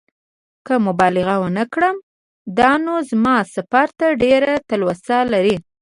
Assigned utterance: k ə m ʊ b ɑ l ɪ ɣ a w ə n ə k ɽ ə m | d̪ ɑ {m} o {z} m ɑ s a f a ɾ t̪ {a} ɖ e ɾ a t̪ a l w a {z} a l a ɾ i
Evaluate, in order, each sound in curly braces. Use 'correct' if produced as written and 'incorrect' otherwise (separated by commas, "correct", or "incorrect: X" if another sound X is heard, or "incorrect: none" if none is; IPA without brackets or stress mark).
incorrect: n, correct, correct, incorrect: s